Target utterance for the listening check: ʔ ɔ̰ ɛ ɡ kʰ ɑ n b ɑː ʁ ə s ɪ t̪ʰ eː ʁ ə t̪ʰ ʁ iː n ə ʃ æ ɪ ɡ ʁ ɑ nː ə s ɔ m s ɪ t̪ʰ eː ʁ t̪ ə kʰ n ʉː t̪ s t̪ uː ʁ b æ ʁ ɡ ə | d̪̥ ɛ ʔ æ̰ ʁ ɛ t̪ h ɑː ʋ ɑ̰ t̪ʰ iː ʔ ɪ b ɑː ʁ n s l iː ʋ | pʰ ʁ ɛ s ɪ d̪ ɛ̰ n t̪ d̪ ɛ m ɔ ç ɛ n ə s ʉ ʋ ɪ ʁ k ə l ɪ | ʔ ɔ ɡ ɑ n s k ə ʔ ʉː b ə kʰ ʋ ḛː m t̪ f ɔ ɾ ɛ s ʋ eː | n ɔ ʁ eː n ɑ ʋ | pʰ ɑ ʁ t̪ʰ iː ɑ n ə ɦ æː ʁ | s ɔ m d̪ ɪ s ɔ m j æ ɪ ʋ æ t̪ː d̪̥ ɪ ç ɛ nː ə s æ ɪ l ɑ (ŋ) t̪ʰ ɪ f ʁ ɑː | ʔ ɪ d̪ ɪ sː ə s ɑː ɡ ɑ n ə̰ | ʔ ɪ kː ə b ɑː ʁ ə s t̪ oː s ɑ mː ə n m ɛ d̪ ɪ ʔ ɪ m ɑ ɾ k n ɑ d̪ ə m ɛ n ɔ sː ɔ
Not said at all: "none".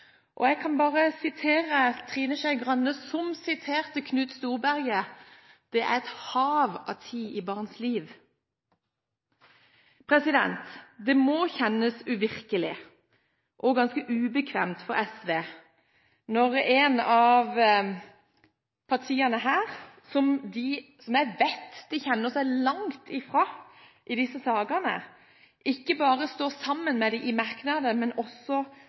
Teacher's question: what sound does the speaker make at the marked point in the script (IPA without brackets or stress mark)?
ŋ